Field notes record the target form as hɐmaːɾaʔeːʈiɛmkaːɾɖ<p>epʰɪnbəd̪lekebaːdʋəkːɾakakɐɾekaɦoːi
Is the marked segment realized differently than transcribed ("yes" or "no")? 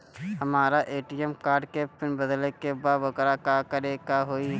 yes